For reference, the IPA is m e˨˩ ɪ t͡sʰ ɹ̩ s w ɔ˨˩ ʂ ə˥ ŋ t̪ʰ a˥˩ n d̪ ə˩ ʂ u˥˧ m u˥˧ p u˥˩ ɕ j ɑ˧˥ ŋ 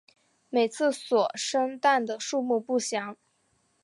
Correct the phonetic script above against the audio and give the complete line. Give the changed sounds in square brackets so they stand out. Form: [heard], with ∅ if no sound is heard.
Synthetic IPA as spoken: m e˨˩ ɪ t͡sʰ ɹ̩ s w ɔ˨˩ ʂ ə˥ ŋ [t̪] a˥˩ n d̪ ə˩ ʂ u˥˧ m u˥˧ p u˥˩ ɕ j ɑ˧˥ ŋ